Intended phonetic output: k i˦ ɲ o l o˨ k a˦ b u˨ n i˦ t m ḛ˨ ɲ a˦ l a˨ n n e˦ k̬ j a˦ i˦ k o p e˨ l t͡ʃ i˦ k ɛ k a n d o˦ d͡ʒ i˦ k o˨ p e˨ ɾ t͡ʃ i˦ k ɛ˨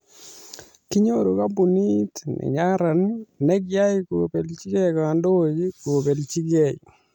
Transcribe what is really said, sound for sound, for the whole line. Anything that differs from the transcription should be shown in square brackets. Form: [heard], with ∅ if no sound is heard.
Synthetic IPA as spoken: k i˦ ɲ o [ɾ] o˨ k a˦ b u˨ n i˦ t [n] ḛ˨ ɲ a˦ [ɾ] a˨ n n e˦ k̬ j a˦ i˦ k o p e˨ l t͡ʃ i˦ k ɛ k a n d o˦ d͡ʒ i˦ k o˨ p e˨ [l] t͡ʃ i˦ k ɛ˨